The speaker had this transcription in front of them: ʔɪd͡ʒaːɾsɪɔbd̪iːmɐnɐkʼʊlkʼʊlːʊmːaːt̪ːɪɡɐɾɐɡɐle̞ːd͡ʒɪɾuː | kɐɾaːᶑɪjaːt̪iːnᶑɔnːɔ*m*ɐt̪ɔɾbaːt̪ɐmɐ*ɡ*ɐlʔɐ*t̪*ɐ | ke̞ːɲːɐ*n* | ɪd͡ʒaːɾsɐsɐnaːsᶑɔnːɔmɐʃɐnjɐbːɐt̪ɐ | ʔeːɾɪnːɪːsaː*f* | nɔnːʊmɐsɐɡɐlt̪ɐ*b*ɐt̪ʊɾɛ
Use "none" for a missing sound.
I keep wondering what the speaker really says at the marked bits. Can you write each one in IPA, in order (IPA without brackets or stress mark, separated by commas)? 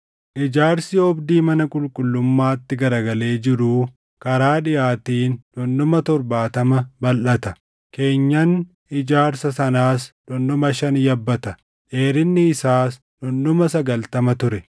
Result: m, b, t̪, n, s, m